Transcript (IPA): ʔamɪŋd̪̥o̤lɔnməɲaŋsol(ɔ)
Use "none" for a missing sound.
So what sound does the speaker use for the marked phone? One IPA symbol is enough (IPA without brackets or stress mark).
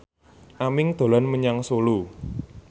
u